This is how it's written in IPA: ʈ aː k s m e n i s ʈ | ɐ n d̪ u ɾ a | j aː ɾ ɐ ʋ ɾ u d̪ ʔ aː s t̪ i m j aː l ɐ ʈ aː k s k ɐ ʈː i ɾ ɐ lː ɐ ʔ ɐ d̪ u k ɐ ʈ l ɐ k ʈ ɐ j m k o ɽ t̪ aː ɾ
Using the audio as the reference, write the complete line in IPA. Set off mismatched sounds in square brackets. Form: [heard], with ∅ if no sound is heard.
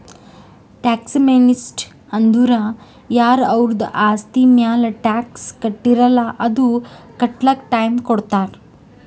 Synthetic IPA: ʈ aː k s m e n i s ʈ | ɐ n d̪ u ɾ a | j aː ɾ ɐ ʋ ɾ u d̪ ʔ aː s t̪ i m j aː l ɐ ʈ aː k s k ɐ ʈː i ɾ ɐ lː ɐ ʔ ɐ d̪ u k ɐ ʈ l ɐ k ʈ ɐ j m k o ɽ t̪ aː ɾ